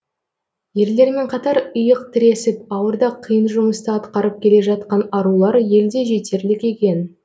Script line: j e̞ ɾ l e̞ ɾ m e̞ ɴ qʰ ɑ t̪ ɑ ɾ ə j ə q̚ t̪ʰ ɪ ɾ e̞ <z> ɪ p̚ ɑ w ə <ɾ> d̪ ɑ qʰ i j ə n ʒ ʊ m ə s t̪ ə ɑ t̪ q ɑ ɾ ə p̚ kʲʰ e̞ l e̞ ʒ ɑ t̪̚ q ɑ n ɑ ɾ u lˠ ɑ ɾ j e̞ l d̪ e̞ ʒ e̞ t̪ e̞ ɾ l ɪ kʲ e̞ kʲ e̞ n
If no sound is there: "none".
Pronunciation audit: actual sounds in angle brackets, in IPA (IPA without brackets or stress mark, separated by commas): s, ɾ